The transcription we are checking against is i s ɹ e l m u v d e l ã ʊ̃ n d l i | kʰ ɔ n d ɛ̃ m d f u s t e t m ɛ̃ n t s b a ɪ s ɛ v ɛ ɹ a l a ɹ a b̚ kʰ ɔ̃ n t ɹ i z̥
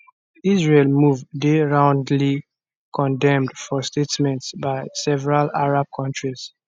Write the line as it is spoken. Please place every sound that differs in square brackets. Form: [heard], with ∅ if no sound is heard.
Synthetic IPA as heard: i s ɹ e l m u v d e [ɹ] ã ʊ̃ n d l i | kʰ [ɔ̃] n d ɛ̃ m d f [ɔ] s t e t m ɛ̃ n t s b a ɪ s ɛ v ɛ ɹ a l a ɹ a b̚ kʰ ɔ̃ n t ɹ i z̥